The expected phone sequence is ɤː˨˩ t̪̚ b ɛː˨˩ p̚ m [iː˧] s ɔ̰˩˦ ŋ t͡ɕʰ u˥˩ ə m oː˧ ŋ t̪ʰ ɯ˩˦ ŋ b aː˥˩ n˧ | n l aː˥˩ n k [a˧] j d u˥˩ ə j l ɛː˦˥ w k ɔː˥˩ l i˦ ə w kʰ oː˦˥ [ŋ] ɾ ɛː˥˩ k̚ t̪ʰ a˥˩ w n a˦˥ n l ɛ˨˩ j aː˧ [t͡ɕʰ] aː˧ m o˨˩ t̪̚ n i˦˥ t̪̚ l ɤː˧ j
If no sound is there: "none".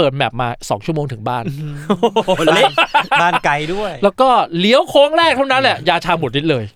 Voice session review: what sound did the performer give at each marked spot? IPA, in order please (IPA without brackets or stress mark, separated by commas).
aː˧, a˧, ŋ, t͡ɕʰ